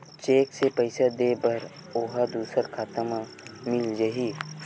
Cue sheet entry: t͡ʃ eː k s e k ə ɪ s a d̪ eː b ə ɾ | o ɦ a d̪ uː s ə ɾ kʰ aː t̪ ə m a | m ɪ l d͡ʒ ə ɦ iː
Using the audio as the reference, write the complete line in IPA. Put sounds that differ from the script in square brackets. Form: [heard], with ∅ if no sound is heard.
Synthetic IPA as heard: t͡ʃ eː k s e [p] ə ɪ s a d̪ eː b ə ɾ | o ɦ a d̪ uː s ə ɾ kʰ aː t̪ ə m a | m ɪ l d͡ʒ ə ɦ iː